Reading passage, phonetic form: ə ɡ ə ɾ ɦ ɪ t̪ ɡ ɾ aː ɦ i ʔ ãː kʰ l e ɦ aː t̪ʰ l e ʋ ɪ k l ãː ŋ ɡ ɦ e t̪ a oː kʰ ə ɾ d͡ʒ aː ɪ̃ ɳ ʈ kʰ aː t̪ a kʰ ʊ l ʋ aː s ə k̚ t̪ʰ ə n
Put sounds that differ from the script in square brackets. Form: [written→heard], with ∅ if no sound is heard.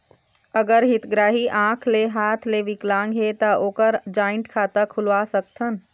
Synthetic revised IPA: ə ɡ ə ɾ ɦ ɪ t̪ ɡ ɾ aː ɦ i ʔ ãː kʰ l e ɦ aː t̪ʰ l e ʋ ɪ k l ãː ŋ ɡ ɦ e t̪ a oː [kʰ→k] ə ɾ d͡ʒ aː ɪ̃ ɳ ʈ kʰ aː t̪ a kʰ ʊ l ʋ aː s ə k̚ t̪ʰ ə n

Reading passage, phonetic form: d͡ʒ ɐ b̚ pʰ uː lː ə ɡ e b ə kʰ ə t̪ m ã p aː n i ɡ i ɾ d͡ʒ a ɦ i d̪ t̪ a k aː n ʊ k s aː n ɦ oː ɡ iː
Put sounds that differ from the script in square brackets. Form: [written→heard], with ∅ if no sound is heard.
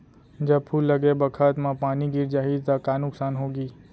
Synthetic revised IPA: d͡ʒ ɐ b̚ pʰ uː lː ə ɡ e b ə kʰ ə t̪ m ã p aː n i ɡ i ɾ d͡ʒ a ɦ i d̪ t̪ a k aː n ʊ k s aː n ɦ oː ɡ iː

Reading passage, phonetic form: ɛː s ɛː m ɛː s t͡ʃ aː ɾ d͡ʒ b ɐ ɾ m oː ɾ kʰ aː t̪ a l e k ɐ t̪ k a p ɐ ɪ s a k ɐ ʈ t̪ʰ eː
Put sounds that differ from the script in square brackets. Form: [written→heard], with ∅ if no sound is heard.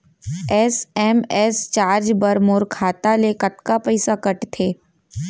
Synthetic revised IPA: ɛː s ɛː m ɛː s t͡ʃ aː ɾ d͡ʒ b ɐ ɾ m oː ɾ kʰ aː t̪ a l e k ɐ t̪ k a p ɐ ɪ s a k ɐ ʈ t̪ʰ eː

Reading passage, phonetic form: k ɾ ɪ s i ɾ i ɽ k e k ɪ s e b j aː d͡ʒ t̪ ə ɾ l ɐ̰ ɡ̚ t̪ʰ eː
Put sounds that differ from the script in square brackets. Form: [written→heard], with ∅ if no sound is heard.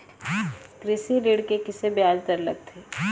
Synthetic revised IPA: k ɾ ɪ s i ɾ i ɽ k e k ɪ s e b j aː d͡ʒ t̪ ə ɾ l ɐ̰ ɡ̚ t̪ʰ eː

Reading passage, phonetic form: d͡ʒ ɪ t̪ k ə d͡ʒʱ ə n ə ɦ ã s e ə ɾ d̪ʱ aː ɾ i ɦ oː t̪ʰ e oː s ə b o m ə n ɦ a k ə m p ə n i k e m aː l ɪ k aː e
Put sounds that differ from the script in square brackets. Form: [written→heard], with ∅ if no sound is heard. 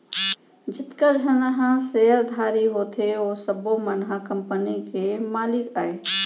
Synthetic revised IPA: d͡ʒ ɪ t̪ k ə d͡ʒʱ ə n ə ɦ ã s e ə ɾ d̪ʱ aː ɾ i ɦ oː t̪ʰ e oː s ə b o m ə n ɦ a k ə m p ə n i k e m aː l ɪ k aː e

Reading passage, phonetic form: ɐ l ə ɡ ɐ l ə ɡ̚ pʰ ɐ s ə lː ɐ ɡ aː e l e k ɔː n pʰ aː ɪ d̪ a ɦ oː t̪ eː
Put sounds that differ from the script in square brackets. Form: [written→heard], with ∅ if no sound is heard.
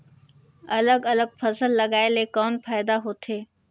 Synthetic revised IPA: ɐ l ə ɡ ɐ l ə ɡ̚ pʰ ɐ s ə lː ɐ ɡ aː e l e k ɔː n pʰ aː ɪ d̪ a ɦ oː [t̪→t̪ʰ] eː

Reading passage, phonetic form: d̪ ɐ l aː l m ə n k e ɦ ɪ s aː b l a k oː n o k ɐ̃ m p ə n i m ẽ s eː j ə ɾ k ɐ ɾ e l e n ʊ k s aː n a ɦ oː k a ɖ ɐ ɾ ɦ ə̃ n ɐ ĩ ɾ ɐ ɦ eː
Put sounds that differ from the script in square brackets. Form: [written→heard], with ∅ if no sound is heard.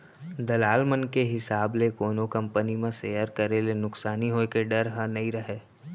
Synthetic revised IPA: d̪ ɐ l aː l m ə n k e ɦ ɪ s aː b l [a→e] k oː n o k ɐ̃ m p ə n i m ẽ s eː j ə ɾ k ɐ ɾ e l e n ʊ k s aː n [a→i] ɦ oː k [a→e] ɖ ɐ ɾ ɦ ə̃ n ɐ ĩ ɾ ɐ ɦ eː

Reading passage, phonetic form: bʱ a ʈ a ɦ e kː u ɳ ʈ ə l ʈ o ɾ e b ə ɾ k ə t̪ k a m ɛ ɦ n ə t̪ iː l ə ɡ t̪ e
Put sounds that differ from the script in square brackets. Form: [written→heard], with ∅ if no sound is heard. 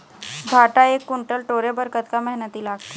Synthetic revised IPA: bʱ a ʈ a [ɦ→∅] e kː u ɳ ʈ ə l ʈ o ɾ e b ə ɾ k ə t̪ k a m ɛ ɦ n ə t̪ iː l [ə→a] ɡ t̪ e

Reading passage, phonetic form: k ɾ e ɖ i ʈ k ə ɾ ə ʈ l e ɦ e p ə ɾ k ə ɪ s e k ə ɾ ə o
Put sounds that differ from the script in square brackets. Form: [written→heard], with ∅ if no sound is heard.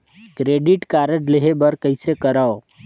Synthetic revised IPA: k ɾ e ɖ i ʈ k [ə→a] ɾ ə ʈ l e ɦ e [p→b] ə ɾ k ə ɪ s e k ə ɾ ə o

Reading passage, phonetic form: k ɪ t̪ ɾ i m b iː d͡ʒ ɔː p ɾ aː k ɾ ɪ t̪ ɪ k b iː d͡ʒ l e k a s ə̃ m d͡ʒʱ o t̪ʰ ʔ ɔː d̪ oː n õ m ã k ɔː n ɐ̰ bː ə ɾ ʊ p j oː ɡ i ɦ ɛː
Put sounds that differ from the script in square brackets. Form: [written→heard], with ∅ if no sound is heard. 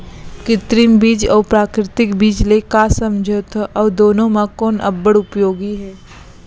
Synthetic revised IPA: k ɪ t̪ ɾ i m b iː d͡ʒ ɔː p ɾ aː k ɾ ɪ t̪ ɪ k b iː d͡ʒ l e k a s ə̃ m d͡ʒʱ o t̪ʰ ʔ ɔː d̪ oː n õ m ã k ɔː n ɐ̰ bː ə [ɾ→ɽ] ʊ p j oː ɡ i ɦ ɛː

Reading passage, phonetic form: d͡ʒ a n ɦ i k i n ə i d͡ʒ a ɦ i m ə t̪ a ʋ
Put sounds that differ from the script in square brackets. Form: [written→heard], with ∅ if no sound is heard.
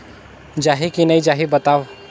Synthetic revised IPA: d͡ʒ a [n→∅] ɦ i k i n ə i d͡ʒ a ɦ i [m→b] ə t̪ a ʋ

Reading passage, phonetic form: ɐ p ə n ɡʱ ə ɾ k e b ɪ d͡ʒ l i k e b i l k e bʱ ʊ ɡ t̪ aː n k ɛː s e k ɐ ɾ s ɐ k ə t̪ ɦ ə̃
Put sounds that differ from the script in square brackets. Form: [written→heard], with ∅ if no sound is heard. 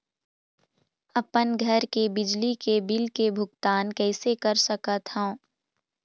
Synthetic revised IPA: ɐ p ə n ɡʱ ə ɾ k e b ɪ d͡ʒ l i k e b [i→ɪ] l k e bʱ ʊ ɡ t̪ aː n k ɛː s e k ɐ ɾ s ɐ k ə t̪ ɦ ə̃

